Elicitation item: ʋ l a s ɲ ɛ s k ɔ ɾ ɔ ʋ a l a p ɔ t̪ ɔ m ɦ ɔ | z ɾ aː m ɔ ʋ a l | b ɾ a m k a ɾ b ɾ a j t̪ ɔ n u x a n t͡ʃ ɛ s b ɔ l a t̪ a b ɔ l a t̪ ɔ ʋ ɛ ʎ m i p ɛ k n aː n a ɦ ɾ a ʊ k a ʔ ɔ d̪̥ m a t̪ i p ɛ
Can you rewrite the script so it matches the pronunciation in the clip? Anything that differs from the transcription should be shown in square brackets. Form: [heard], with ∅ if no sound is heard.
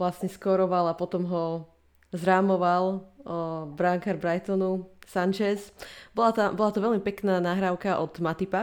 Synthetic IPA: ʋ l a s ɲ ɛ s k ɔ ɾ ɔ ʋ a l a p ɔ t̪ ɔ m ɦ ɔ | z ɾ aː m ɔ ʋ a l | b ɾ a [ŋ] k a ɾ b ɾ a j t̪ ɔ n u [s] a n t͡ʃ ɛ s b ɔ l a t̪ a b ɔ l a t̪ ɔ ʋ ɛ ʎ m i p ɛ k n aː n a ɦ ɾ a ʊ k a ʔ ɔ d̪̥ m a t̪ i p [a]